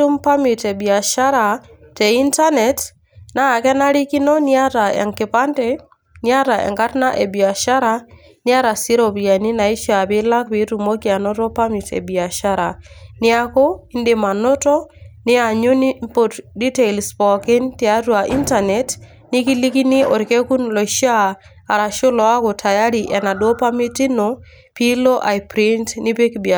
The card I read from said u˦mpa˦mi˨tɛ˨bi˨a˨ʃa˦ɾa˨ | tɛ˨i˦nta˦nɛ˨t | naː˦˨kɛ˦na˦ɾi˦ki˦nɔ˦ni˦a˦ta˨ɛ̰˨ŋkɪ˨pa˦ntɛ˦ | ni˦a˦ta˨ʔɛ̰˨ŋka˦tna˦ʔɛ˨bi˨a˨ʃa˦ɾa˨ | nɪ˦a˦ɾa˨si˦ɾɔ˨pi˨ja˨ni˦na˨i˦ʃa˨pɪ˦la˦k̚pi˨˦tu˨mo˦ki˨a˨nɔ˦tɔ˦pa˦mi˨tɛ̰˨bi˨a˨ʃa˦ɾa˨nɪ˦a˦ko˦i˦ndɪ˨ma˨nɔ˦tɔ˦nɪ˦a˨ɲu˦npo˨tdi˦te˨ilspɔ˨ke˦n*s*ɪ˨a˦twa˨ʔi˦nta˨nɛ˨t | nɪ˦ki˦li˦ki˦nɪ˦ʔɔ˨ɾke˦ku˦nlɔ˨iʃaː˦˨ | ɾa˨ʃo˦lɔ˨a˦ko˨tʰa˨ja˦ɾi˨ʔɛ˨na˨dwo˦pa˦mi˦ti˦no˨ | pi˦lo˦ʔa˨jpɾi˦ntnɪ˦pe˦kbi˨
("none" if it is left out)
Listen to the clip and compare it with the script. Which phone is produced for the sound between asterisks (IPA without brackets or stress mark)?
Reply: t